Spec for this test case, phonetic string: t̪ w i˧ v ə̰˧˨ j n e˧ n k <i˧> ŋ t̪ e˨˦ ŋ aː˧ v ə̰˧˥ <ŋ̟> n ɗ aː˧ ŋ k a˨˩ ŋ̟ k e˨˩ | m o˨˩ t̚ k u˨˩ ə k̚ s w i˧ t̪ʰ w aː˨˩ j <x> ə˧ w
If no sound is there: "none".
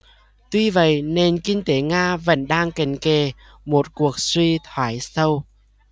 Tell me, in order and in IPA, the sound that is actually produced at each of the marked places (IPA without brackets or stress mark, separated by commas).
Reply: i˧, none, s